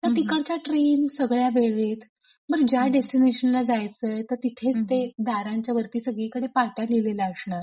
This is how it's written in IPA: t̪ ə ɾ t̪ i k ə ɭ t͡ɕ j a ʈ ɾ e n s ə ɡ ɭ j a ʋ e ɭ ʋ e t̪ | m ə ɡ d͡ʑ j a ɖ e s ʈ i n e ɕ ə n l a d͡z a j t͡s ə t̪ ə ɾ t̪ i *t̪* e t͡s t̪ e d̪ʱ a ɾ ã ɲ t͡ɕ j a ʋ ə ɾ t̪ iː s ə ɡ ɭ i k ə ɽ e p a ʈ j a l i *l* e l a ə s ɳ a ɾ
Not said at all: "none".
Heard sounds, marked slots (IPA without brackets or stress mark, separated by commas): t̪ʰ, l